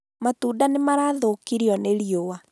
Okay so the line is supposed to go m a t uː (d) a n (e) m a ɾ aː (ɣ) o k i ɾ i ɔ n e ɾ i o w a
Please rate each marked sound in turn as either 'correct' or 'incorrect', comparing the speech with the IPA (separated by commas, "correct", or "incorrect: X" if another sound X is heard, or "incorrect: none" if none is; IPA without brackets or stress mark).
correct, correct, incorrect: ð